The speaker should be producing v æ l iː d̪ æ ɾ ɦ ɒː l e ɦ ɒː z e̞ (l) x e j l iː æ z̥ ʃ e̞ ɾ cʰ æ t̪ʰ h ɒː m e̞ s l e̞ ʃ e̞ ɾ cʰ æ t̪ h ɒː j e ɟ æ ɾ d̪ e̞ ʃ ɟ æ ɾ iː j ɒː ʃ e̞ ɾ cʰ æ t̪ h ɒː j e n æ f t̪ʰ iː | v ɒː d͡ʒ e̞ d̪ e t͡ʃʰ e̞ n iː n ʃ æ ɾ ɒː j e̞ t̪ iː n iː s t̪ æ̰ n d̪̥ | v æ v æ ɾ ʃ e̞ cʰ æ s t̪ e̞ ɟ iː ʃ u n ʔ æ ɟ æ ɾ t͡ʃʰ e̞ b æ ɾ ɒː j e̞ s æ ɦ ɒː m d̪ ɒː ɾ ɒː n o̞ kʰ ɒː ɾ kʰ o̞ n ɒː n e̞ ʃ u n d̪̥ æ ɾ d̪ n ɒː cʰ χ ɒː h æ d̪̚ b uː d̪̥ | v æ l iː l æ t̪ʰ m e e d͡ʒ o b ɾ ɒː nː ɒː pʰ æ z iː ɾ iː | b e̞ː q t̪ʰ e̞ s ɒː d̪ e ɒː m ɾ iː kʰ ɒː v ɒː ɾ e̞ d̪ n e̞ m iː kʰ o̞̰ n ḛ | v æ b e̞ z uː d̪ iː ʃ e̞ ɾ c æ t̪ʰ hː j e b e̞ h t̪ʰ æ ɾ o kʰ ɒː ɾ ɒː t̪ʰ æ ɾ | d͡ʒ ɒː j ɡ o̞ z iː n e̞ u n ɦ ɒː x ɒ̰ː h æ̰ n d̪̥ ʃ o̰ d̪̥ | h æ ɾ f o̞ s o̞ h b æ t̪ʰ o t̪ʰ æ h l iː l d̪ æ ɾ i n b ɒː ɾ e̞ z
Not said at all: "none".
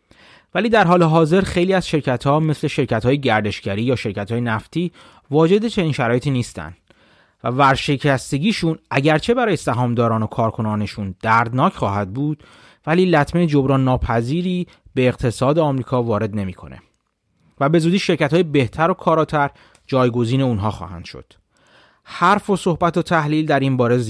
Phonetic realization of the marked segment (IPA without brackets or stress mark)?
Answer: ɾ